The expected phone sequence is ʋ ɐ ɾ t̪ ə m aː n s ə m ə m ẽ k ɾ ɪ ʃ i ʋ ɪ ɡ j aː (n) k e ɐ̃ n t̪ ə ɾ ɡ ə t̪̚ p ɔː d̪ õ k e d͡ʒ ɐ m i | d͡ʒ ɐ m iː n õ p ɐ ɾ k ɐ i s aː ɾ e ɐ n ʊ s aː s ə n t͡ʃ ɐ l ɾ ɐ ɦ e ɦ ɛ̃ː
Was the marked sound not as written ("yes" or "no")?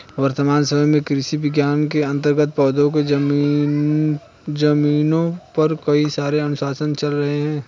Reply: no